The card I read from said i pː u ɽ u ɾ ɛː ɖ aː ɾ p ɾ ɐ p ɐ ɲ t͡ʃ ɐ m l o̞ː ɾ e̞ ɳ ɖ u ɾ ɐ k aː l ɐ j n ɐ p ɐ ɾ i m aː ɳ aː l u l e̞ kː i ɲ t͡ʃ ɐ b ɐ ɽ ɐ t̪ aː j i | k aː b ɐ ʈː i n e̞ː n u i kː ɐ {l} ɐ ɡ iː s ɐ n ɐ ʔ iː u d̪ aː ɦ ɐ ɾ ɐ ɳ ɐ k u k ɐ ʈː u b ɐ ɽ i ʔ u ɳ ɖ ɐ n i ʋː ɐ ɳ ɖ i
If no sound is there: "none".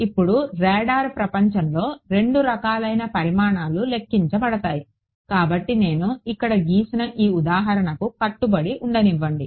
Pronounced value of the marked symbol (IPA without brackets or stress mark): ɽ